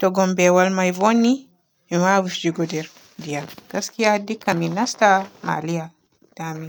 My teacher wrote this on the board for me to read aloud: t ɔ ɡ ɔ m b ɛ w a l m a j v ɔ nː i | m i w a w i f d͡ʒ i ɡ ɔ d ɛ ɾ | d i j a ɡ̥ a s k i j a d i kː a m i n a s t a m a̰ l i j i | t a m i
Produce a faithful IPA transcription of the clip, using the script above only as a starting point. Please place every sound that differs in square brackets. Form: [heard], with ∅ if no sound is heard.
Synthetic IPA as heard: t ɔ ɡ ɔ m b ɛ w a l m a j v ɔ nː i | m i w a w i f d͡ʒ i ɡ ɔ d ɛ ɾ | d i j a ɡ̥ a s k i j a d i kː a m i n a s t a m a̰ l i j [a] | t a m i